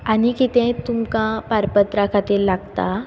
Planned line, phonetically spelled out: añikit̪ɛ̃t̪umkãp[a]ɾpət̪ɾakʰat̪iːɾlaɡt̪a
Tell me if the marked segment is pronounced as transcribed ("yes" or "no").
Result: yes